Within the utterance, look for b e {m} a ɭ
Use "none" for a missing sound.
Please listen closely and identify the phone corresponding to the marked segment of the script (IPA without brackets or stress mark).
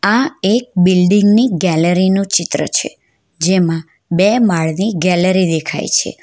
m